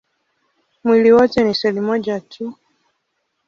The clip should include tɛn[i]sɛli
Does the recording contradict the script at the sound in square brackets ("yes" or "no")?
no